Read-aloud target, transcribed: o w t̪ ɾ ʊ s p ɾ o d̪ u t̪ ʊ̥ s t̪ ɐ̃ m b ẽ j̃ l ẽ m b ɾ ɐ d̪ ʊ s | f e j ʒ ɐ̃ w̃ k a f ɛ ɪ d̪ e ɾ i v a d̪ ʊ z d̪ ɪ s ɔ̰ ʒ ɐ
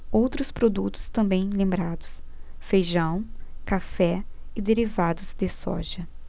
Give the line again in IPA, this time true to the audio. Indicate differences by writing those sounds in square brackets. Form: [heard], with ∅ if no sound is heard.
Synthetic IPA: o w t̪ ɾ ʊ s p ɾ o d̪ u t̪ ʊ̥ s t̪ ɐ̃ m b ẽ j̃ l ẽ m b ɾ [a] d̪ ʊ s | f e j ʒ ɐ̃ w̃ k a f ɛ ɪ d̪ e ɾ i v a d̪ ʊ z d̪ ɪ s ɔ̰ ʒ ɐ